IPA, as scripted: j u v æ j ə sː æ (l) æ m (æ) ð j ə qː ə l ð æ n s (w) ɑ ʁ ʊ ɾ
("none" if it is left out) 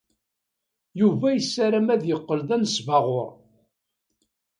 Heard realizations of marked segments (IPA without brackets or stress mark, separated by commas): ɾ, æ, v